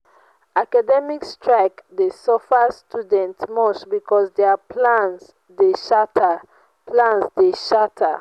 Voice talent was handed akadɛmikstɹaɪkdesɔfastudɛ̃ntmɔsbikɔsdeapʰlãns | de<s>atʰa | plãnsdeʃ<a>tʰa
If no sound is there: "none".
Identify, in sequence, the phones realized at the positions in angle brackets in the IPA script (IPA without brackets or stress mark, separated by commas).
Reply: ʃ, a